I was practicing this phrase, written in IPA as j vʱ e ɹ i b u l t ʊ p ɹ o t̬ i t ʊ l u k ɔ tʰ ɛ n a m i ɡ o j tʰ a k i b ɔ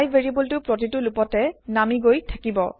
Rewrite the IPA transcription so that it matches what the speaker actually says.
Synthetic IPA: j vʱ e ɹ i b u l t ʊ p ɹ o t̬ i t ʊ l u p ɔ t ɛ n a m i ɡ o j tʰ a k i b ɔ